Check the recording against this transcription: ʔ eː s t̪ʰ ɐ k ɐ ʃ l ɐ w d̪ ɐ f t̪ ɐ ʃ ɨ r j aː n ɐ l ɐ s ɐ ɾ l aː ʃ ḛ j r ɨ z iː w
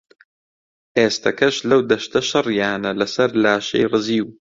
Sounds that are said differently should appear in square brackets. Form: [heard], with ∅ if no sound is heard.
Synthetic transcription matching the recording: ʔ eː s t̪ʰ ɐ k ɐ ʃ l ɐ w d̪ ɐ [ʃ] t̪ ɐ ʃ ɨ r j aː n ɐ l ɐ s ɐ ɾ l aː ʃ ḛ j r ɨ z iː w